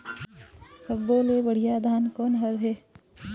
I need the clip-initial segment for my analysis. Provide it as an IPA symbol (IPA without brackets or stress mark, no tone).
s